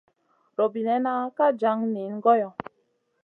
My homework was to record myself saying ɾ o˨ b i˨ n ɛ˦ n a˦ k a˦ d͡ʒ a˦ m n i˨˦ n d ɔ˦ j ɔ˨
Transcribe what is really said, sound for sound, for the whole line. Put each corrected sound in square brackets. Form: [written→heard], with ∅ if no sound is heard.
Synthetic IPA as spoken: ɾ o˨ b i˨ n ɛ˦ n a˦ k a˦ d͡ʒ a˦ [m→ŋ] n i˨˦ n [d→ɡ] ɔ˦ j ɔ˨